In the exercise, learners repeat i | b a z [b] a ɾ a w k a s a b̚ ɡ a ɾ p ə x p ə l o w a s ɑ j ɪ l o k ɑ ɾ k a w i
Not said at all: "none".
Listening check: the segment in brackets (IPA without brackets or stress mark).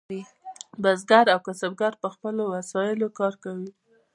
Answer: ɡ